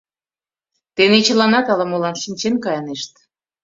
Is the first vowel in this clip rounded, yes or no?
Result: no